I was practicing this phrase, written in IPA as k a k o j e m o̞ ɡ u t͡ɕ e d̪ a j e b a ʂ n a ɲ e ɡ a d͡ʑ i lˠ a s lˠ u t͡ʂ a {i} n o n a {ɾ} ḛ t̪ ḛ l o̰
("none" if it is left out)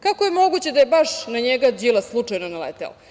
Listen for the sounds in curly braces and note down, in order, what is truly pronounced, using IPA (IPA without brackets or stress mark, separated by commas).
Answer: j, l